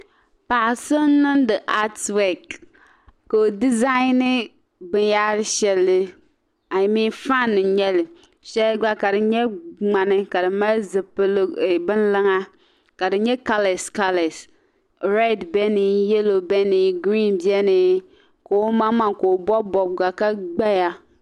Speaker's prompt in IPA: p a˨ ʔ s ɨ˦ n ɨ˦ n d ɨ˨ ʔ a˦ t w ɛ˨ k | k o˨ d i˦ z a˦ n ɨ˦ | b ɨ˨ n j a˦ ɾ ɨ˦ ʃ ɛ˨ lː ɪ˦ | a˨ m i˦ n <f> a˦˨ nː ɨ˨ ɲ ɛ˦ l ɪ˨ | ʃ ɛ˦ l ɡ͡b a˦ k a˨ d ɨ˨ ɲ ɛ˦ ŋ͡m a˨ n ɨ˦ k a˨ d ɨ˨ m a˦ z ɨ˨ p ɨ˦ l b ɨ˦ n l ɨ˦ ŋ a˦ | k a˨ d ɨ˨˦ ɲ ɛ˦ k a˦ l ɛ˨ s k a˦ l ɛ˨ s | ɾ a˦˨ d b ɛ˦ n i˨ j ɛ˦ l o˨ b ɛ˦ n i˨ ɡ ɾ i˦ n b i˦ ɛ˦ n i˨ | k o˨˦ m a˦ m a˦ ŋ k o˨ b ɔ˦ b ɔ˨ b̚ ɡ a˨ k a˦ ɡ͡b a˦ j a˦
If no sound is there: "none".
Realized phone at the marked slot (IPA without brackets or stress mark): f